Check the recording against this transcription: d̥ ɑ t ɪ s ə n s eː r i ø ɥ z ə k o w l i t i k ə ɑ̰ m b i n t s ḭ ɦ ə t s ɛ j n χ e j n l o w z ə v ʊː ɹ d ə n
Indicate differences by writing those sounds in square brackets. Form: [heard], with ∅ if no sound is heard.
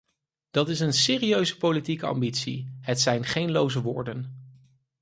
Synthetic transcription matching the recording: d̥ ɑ t ɪ s ə n s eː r i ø ɥ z ə [p] o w l i t i k ə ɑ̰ m b i [∅] t s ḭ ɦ ə t s ɛ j n χ e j n l o w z ə [ʋ] ʊː ɹ d ə n

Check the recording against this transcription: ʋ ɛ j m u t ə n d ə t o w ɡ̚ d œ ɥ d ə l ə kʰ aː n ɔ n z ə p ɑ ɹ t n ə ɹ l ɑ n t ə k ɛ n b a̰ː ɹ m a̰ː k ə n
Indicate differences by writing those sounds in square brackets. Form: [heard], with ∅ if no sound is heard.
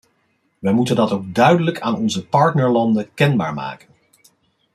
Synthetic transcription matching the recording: ʋ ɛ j m u t ə n d [ɑ] t o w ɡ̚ d œ ɥ d ə l ə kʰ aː n ɔ n z ə p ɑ ɹ t n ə ɹ l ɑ n [d] ə k ɛ n b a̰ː ɹ m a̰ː k ə n

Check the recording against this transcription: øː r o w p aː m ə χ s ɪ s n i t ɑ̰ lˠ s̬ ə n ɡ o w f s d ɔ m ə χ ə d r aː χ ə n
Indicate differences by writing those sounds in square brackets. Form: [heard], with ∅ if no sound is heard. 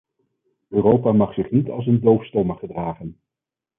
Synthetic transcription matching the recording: øː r o w p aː m [ɑ] χ s ɪ [χ] n i t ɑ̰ lˠ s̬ ə n [d] o w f s [t] ɔ m ə χ ə d r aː χ ə n

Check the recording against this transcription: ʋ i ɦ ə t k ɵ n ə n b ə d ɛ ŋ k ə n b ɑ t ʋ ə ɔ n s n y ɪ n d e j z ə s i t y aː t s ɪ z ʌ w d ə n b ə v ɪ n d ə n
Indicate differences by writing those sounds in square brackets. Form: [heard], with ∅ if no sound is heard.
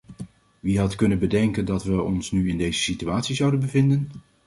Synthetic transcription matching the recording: ʋ i ɦ [ɑ] t k ɵ n ə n b ə d ɛ ŋ k ə n [d] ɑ t ʋ ə ɔ n s n y ɪ n d e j z ə s i t y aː t s [i] z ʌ w d ə n b ə v ɪ n d ə n

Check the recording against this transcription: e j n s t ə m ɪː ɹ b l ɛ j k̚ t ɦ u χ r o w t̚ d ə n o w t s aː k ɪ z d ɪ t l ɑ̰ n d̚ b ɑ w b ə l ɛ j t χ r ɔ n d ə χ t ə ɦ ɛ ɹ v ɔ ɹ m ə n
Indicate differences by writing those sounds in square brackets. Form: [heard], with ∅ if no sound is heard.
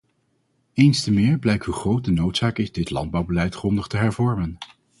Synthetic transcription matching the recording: e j n s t ə m ɪː ɹ b l ɛ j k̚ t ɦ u χ r o w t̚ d ə n o w t s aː k ɪ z d ɪ t l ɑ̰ n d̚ b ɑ w b ə l ɛ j t χ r ɔ n d ə χ t ə ɦ ɛ ɹ v ɔ ɹ m ə n

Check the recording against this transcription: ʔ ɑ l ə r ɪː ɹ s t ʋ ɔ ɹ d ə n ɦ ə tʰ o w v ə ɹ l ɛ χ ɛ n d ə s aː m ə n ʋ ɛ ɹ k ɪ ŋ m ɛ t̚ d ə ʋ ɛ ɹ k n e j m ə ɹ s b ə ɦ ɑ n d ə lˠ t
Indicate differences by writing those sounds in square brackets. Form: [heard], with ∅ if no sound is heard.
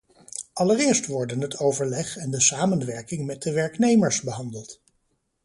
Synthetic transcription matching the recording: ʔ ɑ l ə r ɪː ɹ s t ʋ ɔ ɹ d ə n ɦ ə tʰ o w v ə ɹ l ɛ χ ɛ n d ə s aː m ə n ʋ ɛ ɹ k ɪ ŋ m ɛ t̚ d ə ʋ ɛ ɹ k n e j m ə ɹ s b ə ɦ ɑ n d ə lˠ t

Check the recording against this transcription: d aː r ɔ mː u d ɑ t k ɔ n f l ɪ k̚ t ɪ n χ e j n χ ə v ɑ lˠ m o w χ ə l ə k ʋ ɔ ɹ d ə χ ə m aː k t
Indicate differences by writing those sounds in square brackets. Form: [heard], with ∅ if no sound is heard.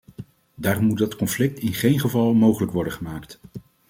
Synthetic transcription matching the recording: d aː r ɔ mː u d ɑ t k ɔ n f l ɪ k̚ t ɪ n χ e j n χ ə v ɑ lˠ m o w χ ə l ə k ʋ ɔ ɹ d ə χ ə m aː k t

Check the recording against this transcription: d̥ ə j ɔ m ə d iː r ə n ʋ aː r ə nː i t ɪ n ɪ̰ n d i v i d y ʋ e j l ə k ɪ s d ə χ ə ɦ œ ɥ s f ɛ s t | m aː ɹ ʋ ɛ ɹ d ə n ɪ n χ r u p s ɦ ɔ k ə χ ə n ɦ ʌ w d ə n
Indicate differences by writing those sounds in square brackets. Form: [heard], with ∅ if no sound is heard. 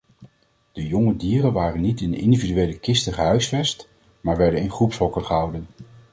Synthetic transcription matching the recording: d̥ ə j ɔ [ŋ] ə d iː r ə n ʋ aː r ə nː i t ɪ n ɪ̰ n d i v i d y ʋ e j l ə k ɪ s [t] ə χ ə ɦ œ ɥ s f ɛ s t | m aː ɹ ʋ ɛ ɹ d ə n ɪ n χ r u p s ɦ ɔ k ə χ ə [∅] ɦ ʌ w d ə n

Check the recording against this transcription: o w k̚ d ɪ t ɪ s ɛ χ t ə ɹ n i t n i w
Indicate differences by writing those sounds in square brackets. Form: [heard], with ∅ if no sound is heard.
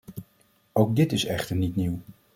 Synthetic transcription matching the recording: o w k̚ d ɪ t ɪ s ɛ χ t ə ɹ n i t n i w

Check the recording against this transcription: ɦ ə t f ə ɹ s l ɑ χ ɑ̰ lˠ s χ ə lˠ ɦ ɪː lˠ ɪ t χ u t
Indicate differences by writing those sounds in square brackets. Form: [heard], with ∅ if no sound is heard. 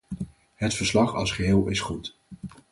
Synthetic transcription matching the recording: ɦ ə t f ə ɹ s l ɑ χ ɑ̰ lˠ s χ ə [∅] ɦ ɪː lˠ ɪ [s] χ u t

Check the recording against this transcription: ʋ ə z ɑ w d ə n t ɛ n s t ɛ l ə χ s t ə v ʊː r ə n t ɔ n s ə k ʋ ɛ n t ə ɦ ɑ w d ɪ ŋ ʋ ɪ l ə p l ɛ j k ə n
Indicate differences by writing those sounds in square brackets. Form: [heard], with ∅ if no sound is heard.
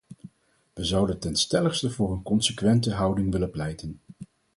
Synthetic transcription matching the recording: ʋ ə z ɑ w d ə n t ɛ n s t ɛ l ə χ s t ə v ʊː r ə n [k] ɔ n s ə k ʋ ɛ n t ə ɦ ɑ w d ɪ ŋ ʋ ɪ l ə p l ɛ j [t] ə n

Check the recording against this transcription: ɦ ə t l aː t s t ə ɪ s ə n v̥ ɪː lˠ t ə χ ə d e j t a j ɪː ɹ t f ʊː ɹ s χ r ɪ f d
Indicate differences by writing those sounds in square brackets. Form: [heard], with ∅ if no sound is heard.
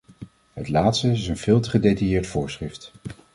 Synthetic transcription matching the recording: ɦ ə t l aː t s t ə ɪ s ə n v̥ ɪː lˠ t ə χ ə d e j t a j ɪː ɹ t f ʊː ɹ s χ r ɪ f [t]

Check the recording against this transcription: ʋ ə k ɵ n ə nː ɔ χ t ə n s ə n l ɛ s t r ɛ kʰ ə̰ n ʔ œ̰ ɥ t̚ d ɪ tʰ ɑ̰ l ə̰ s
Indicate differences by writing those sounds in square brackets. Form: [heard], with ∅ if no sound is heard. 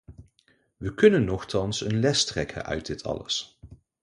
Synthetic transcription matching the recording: ʋ ə k ɵ n ə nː ɔ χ t [ɑ] n s ə n l ɛ s t r ɛ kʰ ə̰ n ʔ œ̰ ɥ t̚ d ɪ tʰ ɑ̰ l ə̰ s

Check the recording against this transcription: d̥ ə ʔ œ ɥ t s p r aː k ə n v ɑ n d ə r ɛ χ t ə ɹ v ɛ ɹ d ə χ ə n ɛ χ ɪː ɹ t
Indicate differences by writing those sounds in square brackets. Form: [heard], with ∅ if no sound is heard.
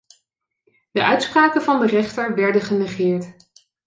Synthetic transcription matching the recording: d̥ ə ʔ œ ɥ t s p r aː k ə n v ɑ n d ə r ɛ χ t ə ɹ [ʋ] ɛ ɹ d ə χ ə n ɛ χ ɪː ɹ t

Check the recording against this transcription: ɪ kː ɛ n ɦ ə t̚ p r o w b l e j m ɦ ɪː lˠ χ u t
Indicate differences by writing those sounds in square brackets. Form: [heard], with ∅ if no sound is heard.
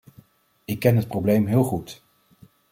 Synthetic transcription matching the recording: ɪ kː ɛ n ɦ ə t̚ p r o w b l e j m ɦ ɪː lˠ χ u t

